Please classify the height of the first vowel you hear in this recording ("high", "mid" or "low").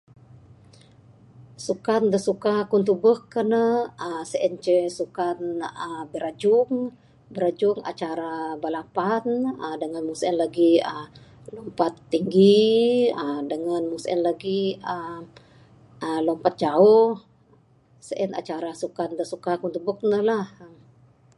high